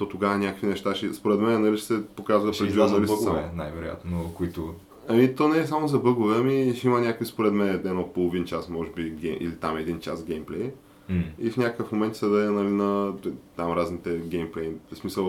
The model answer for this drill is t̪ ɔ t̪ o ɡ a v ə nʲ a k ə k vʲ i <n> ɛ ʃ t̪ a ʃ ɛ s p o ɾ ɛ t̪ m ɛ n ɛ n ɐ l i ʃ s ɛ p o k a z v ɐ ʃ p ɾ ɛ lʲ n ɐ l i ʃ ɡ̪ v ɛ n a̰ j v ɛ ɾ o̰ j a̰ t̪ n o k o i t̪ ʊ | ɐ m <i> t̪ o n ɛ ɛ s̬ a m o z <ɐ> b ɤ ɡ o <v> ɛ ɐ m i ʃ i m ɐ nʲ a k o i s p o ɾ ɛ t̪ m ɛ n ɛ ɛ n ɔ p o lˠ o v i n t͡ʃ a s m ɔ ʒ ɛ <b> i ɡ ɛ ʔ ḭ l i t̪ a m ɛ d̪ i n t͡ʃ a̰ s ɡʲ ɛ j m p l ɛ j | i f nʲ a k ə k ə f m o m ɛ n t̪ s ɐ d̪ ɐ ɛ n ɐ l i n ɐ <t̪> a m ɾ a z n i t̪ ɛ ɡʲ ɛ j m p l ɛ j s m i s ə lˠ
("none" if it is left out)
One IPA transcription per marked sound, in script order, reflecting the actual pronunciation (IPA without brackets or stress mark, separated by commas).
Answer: n, i, ɐ, v, b, t̪